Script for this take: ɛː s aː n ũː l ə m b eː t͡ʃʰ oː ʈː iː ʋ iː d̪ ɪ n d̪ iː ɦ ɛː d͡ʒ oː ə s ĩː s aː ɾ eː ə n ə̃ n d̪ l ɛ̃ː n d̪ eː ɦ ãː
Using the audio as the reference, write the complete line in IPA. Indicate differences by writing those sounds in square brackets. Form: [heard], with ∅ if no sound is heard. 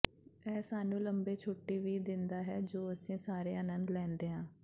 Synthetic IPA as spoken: ɛː s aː n ũː l ə m b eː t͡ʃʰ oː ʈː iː ʋ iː d̪ ɪ n d̪ [aː] ɦ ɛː d͡ʒ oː ə s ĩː s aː ɾ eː ə n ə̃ n d̪ l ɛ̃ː n d̪ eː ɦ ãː